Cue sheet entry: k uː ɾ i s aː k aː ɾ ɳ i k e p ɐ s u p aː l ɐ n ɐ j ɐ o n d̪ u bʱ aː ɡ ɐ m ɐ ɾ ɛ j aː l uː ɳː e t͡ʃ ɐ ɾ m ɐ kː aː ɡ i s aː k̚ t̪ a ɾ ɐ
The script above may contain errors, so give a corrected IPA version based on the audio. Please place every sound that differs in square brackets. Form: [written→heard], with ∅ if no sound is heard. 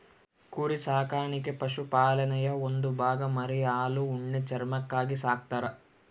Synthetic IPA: k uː ɾ i s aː k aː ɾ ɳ i k e p ɐ [s→ʃ] u p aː l ɐ n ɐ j ɐ o n d̪ u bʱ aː ɡ ɐ m ɐ ɾ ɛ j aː l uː ɳː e t͡ʃ ɐ ɾ m ɐ kː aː ɡ i s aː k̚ t̪ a ɾ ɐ